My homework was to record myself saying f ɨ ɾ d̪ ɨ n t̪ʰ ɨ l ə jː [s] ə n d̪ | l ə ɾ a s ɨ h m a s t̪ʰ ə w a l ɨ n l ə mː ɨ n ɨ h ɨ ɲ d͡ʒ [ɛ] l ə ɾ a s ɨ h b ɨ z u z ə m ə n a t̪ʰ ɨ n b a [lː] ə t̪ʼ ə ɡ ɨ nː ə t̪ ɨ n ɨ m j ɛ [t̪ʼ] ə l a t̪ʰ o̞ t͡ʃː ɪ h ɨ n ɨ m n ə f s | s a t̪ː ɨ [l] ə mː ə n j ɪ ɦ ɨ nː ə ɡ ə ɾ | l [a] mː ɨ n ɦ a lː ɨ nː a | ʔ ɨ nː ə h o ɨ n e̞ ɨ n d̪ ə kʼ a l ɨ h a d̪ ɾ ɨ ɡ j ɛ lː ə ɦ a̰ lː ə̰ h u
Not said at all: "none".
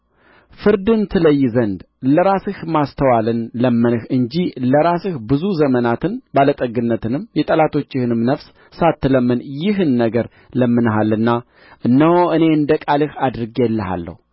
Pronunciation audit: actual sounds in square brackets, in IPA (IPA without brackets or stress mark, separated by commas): z, i, l, t̪ʼ, l, ə